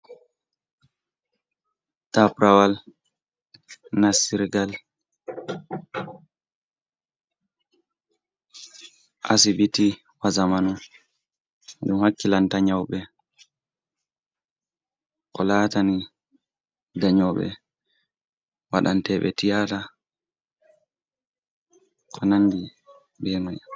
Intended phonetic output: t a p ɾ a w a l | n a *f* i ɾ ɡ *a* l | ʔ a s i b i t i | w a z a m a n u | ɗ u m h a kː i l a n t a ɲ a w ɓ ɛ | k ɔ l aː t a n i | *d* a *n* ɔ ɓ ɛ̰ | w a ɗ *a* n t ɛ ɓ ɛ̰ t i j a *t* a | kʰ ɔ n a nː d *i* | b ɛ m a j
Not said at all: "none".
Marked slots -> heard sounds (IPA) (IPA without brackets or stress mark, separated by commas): s, a, d, ɲ, a, t, i